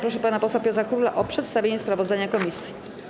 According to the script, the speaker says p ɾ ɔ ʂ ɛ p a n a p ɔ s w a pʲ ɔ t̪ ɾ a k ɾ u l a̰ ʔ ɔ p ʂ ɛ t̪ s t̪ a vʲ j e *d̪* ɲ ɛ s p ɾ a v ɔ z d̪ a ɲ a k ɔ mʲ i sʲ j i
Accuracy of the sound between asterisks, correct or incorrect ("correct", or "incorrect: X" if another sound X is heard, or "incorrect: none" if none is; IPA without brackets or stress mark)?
incorrect: none